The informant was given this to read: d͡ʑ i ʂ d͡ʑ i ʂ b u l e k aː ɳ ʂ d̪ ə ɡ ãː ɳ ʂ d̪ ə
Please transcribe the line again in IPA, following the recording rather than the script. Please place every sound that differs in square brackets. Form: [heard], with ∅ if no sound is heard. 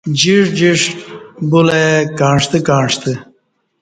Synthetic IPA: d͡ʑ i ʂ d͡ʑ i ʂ b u l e k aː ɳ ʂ [t̪] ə [k] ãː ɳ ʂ [t̪] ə